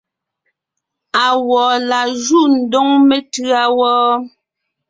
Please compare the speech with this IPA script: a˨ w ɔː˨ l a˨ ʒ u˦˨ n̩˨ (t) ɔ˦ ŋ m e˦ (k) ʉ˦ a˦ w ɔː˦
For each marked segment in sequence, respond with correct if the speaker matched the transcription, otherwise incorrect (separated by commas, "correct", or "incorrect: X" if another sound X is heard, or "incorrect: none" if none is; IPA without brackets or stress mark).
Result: incorrect: d, incorrect: t